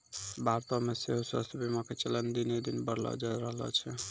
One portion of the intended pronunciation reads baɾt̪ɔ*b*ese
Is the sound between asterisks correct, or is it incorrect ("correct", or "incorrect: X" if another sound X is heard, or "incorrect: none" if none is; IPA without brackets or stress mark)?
incorrect: m